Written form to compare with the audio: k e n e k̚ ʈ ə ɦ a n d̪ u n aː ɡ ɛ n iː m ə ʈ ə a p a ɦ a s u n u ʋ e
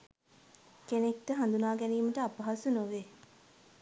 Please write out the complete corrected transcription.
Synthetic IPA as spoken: k e n e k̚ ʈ ə ɦ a n d̪ u n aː ɡ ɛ n iː m ə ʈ ə a p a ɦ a s u n o ʋ e